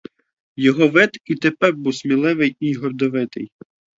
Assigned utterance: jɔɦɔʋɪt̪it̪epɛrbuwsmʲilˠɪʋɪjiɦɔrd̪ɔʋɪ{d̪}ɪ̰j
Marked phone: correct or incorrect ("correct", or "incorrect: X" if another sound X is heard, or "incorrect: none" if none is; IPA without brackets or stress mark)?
incorrect: t̪